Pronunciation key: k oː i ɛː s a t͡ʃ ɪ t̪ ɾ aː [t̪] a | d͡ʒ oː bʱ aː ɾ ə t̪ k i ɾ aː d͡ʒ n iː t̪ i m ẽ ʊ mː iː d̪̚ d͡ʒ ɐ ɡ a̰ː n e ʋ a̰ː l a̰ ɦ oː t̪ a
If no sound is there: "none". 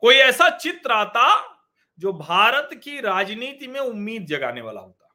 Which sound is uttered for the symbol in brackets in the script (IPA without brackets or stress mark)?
t̪